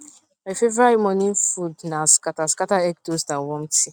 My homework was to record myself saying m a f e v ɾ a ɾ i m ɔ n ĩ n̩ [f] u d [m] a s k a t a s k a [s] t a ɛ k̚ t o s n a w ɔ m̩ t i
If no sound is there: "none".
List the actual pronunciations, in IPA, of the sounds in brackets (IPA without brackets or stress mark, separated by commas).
f, n, none